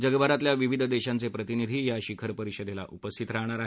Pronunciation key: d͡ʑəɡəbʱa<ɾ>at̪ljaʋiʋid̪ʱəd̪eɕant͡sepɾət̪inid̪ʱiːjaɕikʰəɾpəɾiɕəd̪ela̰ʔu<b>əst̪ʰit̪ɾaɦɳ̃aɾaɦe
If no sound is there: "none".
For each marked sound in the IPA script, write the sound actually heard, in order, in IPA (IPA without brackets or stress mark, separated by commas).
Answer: ɾ, p